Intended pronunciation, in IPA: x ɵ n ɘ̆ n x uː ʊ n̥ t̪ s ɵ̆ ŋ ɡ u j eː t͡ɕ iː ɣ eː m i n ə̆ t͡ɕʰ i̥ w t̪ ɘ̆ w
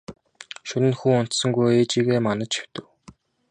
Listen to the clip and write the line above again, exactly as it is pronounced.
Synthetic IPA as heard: ʃ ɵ n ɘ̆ n x uː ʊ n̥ t̪ s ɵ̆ ŋ ɡ u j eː t͡ɕ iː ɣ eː m a n ə̆ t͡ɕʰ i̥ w t̪ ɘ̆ w